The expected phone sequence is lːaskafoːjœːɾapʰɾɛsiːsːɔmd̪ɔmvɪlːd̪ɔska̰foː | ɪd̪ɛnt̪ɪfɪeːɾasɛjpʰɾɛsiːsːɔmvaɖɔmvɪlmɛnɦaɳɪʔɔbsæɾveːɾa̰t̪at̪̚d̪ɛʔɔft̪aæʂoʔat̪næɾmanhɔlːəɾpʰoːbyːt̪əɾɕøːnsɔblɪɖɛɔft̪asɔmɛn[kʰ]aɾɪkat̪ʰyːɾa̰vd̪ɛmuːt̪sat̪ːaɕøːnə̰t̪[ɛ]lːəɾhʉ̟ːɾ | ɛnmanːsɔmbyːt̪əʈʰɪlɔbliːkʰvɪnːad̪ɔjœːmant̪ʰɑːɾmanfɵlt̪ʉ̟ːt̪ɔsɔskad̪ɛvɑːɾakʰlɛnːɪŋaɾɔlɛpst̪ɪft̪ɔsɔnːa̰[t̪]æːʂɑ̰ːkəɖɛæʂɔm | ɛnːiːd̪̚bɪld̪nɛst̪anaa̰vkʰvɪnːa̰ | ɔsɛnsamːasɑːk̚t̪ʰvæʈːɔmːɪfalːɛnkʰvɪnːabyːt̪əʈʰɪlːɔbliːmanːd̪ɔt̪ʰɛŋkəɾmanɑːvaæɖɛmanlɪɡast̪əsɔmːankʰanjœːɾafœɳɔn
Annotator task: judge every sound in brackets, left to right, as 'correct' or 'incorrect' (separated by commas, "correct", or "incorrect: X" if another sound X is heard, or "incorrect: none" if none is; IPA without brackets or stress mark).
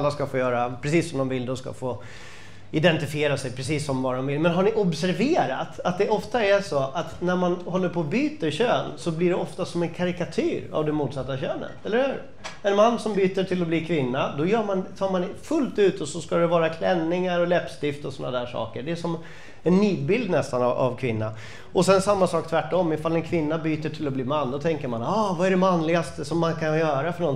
correct, correct, incorrect: d̪